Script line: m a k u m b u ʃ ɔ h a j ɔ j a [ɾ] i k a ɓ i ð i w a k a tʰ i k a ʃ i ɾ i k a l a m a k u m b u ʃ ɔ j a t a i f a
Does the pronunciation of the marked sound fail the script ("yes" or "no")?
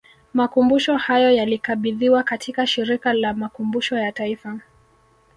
yes